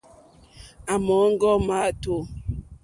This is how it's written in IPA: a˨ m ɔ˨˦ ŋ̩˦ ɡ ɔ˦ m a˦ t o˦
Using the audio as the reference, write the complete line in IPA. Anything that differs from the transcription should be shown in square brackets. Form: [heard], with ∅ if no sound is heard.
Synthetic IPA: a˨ m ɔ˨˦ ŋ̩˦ ɡ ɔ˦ m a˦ t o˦